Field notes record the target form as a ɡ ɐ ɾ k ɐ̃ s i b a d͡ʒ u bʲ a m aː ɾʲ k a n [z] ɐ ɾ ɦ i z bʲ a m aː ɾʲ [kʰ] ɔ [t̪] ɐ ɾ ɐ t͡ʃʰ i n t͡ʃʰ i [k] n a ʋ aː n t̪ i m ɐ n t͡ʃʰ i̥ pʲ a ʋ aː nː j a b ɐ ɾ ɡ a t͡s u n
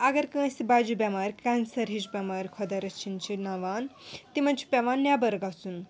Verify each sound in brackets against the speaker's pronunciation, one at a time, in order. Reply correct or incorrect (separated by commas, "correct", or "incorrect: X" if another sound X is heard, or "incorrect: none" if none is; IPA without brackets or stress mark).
incorrect: s, correct, incorrect: d̪, incorrect: none